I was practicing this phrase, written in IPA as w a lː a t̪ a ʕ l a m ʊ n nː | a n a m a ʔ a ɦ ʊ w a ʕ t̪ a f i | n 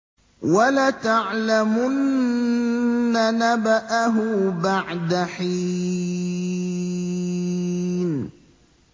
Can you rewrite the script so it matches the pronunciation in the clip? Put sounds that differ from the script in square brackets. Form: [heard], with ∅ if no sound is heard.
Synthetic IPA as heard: w a [l] a t̪ a ʕ l a m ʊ n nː | a n a [b] a ʔ a ɦ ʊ [b] a ʕ [d̪] a [ħ] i | n

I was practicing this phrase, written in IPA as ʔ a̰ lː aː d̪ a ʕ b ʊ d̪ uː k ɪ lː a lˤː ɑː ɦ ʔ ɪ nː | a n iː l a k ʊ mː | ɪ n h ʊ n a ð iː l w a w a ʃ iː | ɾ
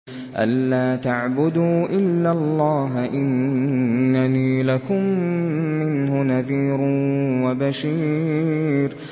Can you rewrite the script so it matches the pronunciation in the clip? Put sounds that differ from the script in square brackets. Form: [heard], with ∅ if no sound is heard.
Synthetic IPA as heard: ʔ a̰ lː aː [t̪] a ʕ b ʊ d̪ uː [ʔ] ɪ lː a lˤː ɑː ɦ ʔ ɪ nː | a n iː l a k ʊ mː | ɪ n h ʊ n a ð iː [ɾ] w a [b] a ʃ iː | ɾ

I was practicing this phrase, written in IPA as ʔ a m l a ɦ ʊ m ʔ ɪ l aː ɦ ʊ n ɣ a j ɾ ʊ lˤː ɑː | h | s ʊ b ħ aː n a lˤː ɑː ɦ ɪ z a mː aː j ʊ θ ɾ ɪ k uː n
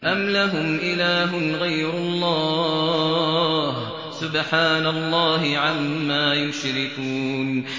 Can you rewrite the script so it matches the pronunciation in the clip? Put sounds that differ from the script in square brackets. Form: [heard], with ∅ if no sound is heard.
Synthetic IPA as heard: ʔ a m l a ɦ ʊ m ʔ ɪ l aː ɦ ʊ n ɣ a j ɾ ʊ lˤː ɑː | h | s ʊ b ħ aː n a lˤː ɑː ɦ ɪ [ʕ] a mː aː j ʊ [ʃ] ɾ ɪ k uː n

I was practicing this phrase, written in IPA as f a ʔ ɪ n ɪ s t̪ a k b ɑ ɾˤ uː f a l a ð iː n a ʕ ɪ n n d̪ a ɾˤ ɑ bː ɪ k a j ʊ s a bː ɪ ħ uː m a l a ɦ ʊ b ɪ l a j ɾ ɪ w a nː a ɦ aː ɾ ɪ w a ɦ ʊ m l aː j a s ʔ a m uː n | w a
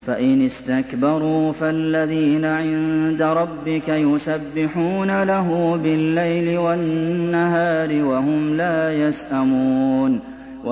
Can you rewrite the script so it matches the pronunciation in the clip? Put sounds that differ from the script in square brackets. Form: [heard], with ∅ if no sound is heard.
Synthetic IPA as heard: f a ʔ ɪ n ɪ s t̪ a k b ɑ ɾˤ uː f a [lː] a ð iː n a ʕ ɪ n n d̪ a ɾˤ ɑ bː ɪ k a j ʊ s a bː ɪ ħ uː [n] a l a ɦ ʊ b ɪ [lː] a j [l] ɪ w a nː a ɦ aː ɾ ɪ w a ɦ ʊ m l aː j a s ʔ a m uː n | w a

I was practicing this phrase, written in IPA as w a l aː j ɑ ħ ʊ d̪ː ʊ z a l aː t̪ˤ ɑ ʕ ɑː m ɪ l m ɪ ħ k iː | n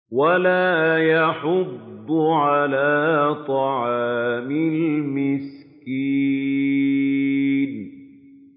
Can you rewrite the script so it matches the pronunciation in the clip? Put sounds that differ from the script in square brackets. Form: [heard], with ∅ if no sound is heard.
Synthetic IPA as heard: w a l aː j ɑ ħ ʊ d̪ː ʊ [ʕ] a l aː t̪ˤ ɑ ʕ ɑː m ɪ l m ɪ [s] k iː | n

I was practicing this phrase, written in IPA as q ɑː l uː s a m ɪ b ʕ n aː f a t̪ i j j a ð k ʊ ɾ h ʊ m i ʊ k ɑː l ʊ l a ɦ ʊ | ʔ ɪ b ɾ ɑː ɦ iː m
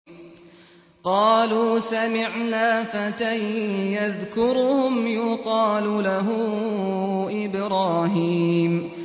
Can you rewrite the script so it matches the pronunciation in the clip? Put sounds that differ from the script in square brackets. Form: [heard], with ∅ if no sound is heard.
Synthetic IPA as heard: q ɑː l uː s a m ɪ [∅] ʕ n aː f a t̪ [a] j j a ð k ʊ ɾ h ʊ m [j] ʊ [q] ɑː l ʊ l a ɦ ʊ | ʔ ɪ b ɾ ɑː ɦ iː m

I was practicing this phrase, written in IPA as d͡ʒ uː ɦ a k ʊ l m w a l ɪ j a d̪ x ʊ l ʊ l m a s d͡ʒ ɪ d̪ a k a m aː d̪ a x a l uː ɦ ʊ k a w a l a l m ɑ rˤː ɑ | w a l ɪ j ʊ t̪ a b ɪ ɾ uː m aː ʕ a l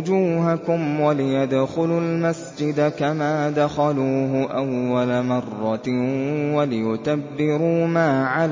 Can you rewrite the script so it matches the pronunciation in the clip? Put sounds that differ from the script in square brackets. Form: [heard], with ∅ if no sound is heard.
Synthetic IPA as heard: d͡ʒ uː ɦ a k ʊ [∅] m w a l ɪ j a d̪ x ʊ l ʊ l m a s d͡ʒ ɪ d̪ a k a m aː d̪ a x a l uː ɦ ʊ [ʔ] a [wː] a l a [∅] m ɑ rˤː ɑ | w a l ɪ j ʊ t̪ a [bː] ɪ ɾ uː m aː ʕ a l

